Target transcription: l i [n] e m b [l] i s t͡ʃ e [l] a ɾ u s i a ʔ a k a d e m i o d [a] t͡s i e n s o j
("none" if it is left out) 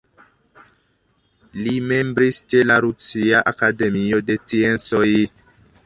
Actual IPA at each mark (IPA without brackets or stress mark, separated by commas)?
m, ɾ, l, e